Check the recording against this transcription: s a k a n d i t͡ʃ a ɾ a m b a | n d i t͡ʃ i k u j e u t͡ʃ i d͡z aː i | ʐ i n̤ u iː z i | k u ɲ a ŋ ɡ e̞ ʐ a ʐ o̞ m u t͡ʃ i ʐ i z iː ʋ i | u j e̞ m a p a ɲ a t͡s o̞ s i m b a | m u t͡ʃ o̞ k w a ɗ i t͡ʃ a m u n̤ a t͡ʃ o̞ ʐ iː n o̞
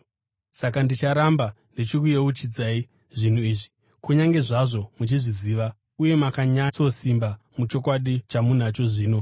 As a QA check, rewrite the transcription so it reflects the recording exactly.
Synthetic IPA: s a k a n d i t͡ʃ a ɾ a m b a | n d i t͡ʃ i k u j e u t͡ʃ i d͡z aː i | ʐ i n̤ u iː ʐ i | k u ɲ a ŋ ɡ e̞ ʐ a ʐ o̞ m u t͡ʃ i ʐ i z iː ʋ a | u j e̞ m a k a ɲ a t͡s o̞ s i m b a | m u t͡ʃ o̞ k w a ɗ i t͡ʃ a m u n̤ a t͡ʃ o̞ ʐ iː n o̞